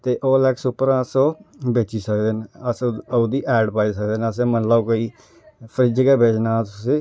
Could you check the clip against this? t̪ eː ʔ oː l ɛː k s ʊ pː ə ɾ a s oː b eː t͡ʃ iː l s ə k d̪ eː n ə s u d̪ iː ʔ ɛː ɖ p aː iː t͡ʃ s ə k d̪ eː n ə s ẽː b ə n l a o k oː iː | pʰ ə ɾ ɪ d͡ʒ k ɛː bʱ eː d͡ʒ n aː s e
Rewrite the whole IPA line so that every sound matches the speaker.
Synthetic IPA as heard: t̪ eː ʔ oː l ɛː k s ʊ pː ə ɾ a s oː b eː t͡ʃ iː s ə k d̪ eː n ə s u d̪ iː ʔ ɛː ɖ p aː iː s ə k d̪ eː n ə s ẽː m ə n l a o k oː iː | pʰ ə ɾ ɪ d͡ʒ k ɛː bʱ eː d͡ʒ n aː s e